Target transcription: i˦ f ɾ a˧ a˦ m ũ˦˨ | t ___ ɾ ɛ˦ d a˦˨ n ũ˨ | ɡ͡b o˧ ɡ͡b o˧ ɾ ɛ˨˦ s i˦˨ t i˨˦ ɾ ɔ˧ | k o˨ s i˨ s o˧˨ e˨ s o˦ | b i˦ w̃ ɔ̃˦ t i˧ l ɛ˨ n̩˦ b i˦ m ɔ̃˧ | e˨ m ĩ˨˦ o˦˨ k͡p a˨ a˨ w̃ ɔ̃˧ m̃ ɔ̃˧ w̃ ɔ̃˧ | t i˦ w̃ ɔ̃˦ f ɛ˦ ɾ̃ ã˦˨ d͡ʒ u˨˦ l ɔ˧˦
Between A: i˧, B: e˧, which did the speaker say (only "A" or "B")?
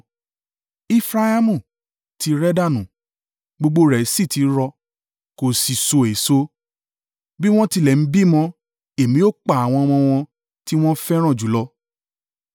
A